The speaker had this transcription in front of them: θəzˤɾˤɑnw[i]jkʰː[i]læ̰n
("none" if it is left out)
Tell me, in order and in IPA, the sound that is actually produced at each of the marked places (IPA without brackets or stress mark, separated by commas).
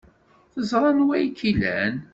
æ, i